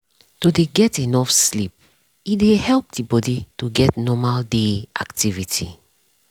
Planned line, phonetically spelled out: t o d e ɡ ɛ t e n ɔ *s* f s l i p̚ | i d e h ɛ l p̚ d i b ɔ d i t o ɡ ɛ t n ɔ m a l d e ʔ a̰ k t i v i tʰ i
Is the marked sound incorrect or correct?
incorrect